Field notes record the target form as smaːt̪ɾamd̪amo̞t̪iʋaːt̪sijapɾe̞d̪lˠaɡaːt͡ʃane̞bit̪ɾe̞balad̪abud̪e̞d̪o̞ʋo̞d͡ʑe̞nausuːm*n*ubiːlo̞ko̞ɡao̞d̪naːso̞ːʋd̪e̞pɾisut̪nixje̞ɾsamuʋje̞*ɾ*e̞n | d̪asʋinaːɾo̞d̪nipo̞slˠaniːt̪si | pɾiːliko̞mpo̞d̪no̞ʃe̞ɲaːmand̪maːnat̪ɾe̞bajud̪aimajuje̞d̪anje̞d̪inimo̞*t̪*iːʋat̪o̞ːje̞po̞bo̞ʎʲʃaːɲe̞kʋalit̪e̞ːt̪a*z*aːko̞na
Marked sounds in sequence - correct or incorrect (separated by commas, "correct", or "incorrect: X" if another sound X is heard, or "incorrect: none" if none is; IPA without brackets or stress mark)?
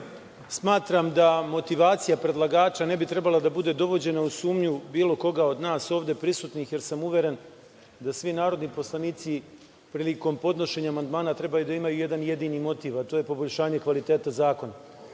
incorrect: ɲ, correct, correct, correct